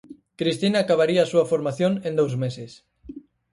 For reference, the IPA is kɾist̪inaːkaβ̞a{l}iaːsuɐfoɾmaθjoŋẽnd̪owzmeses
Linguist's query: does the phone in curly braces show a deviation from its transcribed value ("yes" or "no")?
yes